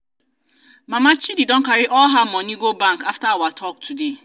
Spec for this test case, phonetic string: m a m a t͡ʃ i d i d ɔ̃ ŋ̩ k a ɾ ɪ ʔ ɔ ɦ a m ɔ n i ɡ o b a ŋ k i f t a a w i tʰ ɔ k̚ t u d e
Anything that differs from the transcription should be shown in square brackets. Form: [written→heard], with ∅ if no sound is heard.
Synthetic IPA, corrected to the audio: m a m a t͡ʃ i d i d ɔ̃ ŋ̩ k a ɾ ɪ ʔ ɔ ɦ a m ɔ n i ɡ o b a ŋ k [i→a] f t a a w [i→a] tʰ ɔ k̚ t u d e